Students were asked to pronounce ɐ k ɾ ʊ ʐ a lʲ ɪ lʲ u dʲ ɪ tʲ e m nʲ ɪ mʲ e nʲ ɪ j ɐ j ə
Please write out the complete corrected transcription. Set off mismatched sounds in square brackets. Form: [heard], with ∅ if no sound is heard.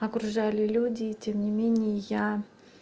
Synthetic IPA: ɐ k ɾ ʊ ʐ a lʲ ɪ lʲ u dʲ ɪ tʲ e m nʲ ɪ mʲ e nʲ ɪ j [ə] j [a]